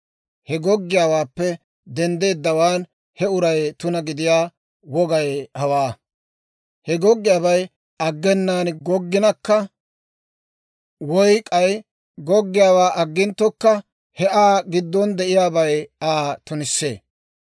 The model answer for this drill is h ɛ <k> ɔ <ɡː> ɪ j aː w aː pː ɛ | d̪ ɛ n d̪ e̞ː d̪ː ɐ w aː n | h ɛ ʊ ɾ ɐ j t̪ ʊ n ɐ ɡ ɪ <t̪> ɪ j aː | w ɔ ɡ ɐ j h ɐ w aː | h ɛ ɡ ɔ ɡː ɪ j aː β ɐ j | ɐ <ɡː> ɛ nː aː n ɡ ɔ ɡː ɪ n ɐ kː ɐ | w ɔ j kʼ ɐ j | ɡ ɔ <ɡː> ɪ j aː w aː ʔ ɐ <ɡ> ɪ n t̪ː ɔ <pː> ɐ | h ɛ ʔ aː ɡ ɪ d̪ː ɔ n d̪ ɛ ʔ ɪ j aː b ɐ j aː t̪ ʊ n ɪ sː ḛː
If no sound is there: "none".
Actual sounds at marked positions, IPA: ɡ, ɡː, d̪, ɡː, ɡː, ɡː, kː

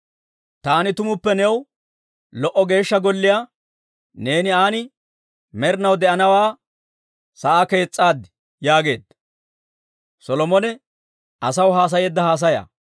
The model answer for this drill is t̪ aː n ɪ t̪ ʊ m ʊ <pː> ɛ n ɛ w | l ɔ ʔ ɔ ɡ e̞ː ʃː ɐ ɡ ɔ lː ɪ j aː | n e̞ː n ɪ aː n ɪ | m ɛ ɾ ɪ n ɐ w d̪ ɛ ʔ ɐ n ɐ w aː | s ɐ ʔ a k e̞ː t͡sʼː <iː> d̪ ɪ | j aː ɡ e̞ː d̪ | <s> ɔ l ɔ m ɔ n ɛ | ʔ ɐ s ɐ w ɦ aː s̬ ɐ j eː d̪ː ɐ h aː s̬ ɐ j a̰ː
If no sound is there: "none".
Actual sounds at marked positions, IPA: pː, aː, s

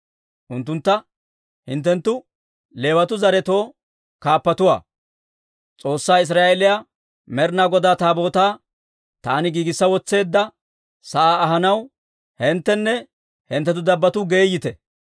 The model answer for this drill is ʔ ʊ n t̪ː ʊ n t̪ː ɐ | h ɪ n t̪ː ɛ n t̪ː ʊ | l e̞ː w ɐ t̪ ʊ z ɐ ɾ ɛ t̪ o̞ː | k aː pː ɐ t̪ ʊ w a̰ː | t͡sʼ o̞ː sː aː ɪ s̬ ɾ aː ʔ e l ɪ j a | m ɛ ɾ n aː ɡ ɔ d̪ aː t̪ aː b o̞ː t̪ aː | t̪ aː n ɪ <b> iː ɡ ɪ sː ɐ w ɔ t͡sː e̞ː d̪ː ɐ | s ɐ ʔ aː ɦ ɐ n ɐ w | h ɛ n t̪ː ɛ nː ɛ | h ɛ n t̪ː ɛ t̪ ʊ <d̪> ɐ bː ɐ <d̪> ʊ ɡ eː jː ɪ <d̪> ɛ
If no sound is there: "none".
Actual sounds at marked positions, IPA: ɡ, d̪, t̪, t̪

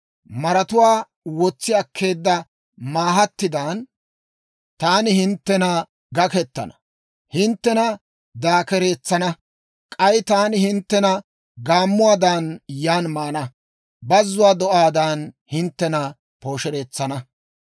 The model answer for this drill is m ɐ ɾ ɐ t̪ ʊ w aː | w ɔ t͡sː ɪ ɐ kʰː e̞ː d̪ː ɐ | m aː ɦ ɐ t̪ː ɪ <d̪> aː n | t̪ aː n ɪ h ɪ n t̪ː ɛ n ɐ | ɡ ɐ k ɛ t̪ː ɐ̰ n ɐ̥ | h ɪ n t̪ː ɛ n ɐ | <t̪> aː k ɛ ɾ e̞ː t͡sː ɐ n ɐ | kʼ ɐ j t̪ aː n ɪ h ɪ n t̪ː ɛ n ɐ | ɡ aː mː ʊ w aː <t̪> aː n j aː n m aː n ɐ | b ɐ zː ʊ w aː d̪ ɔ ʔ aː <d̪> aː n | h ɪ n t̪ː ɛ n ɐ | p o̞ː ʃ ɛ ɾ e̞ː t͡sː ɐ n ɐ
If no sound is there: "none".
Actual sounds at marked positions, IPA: d̪, d̪, d̪, d̪

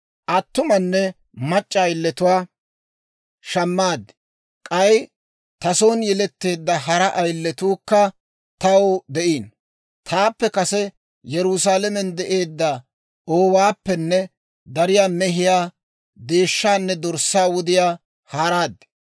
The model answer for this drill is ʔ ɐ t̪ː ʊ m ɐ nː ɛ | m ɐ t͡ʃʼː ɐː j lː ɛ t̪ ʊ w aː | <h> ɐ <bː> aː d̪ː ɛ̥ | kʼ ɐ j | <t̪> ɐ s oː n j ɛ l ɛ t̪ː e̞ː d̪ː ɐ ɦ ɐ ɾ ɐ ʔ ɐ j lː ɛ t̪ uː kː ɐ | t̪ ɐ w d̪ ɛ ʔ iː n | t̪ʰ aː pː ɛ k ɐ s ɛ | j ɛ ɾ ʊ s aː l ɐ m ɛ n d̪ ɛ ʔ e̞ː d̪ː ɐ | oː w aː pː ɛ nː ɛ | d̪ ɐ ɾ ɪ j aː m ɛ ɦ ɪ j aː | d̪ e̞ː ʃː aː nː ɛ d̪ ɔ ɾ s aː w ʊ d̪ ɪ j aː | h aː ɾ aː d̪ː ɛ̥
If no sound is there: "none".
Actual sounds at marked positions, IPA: ʃ, mː, t̪

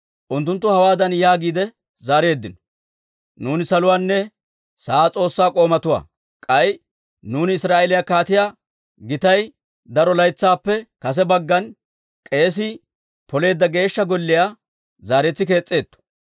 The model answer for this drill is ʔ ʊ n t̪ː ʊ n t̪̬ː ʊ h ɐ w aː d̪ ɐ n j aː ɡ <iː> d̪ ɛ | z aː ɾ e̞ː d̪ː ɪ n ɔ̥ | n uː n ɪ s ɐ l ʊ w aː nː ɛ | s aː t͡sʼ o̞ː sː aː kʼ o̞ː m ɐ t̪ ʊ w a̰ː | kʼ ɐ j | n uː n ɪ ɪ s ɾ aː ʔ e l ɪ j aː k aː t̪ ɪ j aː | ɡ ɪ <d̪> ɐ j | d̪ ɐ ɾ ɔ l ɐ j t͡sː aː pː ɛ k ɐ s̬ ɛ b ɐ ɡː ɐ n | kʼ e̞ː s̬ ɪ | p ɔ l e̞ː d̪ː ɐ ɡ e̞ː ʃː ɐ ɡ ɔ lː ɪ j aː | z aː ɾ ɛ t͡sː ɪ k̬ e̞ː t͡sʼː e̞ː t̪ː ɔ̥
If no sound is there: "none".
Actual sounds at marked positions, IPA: iː, t̪

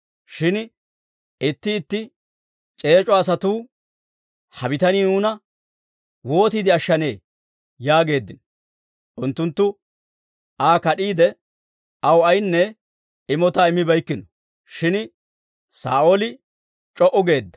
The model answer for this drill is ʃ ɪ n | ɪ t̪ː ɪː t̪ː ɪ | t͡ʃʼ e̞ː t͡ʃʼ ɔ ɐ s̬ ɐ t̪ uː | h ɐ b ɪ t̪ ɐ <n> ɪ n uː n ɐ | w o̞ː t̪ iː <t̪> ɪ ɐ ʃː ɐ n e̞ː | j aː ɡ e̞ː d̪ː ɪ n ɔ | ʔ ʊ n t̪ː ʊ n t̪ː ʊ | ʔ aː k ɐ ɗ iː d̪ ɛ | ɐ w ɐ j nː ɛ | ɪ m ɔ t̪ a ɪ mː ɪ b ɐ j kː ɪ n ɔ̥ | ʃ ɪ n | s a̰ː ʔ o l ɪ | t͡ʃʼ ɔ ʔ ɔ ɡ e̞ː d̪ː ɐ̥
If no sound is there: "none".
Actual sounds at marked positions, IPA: n, d̪

